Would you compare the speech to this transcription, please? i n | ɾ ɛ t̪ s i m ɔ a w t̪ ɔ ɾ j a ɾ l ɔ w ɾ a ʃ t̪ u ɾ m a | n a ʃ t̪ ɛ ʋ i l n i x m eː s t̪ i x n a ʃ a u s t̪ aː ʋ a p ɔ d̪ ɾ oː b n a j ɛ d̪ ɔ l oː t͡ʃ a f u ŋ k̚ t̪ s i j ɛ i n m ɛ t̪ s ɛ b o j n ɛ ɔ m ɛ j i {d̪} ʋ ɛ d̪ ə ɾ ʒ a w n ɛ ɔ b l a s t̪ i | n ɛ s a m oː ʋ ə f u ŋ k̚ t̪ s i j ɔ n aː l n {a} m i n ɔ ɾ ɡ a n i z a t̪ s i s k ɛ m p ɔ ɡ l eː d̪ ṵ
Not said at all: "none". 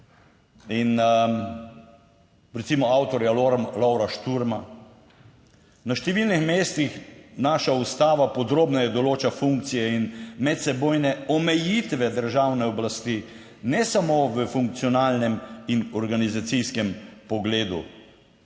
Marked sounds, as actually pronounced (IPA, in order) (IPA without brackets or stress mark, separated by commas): t̪, ɛ